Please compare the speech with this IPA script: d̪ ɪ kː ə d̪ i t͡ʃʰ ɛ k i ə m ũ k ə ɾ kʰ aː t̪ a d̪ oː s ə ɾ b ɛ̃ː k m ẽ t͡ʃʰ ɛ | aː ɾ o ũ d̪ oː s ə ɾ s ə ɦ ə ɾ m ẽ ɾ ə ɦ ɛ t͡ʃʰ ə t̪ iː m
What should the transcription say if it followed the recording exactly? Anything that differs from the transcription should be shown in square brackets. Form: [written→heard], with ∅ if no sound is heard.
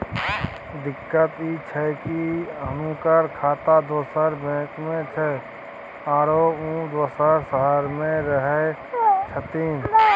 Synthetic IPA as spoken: d̪ ɪ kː ə [d̪→t̪] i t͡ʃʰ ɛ k i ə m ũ k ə ɾ kʰ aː t̪ a d̪ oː s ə ɾ b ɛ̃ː k m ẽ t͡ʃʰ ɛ | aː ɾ o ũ d̪ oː s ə ɾ s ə ɦ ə ɾ m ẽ ɾ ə ɦ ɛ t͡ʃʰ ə t̪ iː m